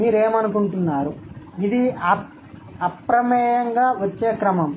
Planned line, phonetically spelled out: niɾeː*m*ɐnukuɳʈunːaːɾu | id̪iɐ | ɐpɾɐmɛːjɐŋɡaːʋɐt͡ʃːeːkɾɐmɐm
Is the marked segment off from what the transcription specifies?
no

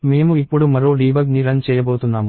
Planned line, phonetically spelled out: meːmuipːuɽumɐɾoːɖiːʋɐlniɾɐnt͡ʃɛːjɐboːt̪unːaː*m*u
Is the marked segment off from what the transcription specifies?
no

